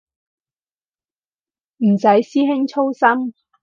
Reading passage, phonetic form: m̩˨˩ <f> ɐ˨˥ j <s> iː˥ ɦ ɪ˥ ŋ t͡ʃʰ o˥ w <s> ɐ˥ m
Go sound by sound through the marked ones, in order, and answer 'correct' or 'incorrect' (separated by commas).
incorrect, correct, correct